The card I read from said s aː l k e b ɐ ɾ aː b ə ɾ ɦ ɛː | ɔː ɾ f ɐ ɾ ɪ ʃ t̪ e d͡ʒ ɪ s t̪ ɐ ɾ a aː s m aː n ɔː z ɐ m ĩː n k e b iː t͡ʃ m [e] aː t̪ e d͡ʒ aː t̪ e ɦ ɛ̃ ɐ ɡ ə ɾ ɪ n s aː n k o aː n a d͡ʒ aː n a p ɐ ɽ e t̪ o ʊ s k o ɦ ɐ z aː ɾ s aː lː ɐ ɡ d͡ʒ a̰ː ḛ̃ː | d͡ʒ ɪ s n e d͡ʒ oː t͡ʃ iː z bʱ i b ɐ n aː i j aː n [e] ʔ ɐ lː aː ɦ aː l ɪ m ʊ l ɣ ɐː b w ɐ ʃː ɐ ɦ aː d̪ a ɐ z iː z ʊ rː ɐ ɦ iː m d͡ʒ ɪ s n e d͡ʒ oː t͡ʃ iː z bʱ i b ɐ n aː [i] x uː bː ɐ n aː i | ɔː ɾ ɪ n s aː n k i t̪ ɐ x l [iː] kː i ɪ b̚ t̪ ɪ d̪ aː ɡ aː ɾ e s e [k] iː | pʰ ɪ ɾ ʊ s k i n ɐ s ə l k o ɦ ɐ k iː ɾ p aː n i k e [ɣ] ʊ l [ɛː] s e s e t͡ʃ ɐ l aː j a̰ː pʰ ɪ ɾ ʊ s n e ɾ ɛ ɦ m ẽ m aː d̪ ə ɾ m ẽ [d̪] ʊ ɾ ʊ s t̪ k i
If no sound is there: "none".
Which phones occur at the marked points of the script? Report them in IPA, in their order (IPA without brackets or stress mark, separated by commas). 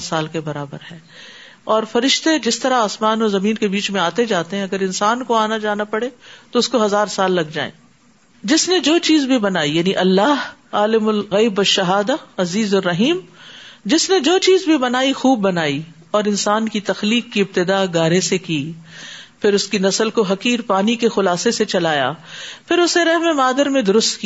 ẽ, i, i, iː, k, x, aː, d̪